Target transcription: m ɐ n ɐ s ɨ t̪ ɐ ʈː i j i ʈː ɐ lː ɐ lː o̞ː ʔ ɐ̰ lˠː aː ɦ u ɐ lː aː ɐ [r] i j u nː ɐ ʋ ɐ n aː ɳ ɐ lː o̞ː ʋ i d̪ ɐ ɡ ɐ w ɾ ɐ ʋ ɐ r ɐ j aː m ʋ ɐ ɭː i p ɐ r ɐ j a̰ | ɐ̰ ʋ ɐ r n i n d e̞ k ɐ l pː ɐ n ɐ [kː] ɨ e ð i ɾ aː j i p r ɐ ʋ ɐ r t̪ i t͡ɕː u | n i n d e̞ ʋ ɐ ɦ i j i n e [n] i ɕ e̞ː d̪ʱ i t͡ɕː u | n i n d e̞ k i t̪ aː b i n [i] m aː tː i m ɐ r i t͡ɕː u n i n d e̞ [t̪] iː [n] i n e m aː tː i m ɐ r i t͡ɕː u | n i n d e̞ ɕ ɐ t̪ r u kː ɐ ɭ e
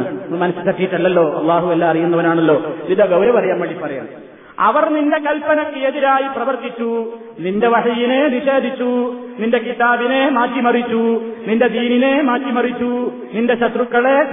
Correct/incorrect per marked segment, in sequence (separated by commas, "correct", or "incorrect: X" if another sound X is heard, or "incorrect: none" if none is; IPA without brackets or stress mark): correct, correct, correct, incorrect: e, incorrect: d̪, correct